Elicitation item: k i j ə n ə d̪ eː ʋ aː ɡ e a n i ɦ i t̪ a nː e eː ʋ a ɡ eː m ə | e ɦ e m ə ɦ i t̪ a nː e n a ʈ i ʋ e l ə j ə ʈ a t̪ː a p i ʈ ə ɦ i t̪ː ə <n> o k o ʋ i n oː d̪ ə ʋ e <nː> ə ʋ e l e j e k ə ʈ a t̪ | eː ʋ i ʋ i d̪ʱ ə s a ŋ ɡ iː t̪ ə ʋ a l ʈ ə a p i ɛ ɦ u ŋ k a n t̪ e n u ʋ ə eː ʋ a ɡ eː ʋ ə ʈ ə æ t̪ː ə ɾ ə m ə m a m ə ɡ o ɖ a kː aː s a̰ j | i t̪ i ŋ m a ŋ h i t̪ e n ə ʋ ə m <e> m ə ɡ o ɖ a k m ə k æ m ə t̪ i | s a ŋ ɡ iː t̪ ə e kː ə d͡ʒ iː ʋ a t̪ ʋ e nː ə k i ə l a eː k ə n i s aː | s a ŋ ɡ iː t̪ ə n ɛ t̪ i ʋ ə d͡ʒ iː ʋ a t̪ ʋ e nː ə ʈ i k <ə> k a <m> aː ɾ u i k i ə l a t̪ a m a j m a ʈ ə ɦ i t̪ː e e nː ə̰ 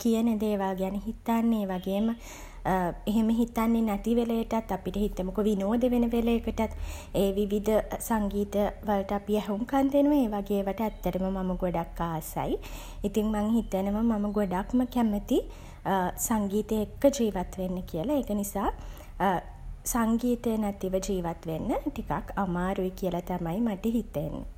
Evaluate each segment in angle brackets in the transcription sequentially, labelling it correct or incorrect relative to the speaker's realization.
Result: incorrect: m, incorrect: n, incorrect: a, incorrect: a, correct

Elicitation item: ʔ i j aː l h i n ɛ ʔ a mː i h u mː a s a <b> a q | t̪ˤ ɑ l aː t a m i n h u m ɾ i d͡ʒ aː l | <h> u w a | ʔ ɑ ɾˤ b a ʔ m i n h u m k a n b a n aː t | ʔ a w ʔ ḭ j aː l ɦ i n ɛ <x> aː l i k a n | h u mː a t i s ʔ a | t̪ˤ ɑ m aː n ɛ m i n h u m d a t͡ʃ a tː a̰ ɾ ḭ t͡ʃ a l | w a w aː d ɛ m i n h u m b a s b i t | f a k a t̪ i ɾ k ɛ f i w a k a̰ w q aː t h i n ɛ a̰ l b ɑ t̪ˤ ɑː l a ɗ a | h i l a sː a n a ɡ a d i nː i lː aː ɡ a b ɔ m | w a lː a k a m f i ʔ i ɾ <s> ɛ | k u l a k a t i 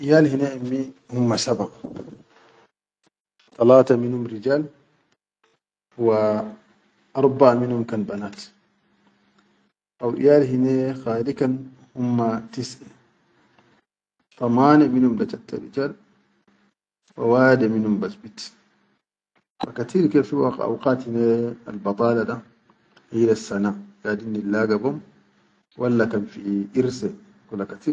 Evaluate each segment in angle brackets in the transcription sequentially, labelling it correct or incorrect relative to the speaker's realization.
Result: correct, correct, correct, correct

